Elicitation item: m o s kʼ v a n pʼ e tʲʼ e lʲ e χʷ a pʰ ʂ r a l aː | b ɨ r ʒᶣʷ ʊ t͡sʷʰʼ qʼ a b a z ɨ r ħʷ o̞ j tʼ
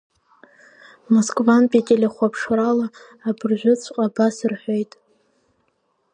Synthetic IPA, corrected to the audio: m o s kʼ v a n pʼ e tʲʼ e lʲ e χʷ a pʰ ʂ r a l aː | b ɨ r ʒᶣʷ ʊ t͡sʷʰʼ qʼ a b a s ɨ r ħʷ o̞ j tʼ